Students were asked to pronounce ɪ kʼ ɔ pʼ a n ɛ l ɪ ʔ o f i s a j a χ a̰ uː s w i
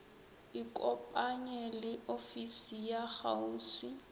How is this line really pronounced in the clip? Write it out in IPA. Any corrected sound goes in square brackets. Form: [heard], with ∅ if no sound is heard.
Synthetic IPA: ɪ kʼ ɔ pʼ a [ɲ] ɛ l ɪ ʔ o f i s [i] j a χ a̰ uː s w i